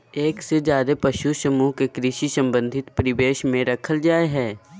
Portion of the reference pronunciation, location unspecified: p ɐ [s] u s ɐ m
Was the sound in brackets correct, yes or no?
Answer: no